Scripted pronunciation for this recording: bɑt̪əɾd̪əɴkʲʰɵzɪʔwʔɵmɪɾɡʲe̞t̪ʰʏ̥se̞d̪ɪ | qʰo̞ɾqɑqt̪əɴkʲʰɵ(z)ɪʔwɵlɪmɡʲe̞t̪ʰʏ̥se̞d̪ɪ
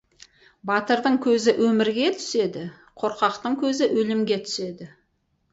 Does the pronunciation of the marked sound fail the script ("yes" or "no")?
no